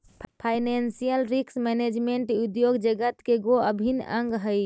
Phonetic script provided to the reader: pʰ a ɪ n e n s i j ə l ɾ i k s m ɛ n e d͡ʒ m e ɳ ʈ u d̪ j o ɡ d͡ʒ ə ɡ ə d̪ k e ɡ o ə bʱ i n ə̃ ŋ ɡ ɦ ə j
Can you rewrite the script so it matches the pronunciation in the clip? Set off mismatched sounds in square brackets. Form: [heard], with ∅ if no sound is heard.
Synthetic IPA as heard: pʰ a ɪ n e n s i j ə l ɾ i k s m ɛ n e d͡ʒ m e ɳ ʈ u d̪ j o ɡ d͡ʒ ə ɡ ə [t̪] k e ɡ o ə bʱ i n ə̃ ŋ ɡ ɦ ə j